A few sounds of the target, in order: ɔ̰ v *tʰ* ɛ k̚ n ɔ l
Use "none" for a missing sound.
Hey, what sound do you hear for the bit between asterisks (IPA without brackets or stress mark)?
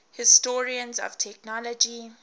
tʰ